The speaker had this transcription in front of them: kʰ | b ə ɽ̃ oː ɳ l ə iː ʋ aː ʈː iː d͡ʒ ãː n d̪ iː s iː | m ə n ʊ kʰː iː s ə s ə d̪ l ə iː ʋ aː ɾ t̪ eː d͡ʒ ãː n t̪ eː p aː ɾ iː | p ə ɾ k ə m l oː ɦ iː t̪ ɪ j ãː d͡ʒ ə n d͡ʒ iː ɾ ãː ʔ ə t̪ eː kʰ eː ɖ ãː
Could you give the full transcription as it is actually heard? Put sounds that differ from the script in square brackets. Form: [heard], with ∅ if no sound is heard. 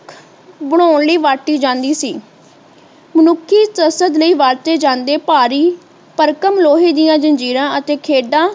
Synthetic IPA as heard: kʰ | b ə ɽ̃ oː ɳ l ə iː ʋ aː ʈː iː d͡ʒ ãː n d̪ iː s iː | m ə n ʊ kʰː iː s ə s ə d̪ l ə iː ʋ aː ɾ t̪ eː d͡ʒ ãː n [d̪] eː p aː ɾ iː | p ə ɾ k ə m l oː ɦ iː [d̪] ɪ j ãː d͡ʒ ə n d͡ʒ iː ɾ ãː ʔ ə t̪ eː kʰ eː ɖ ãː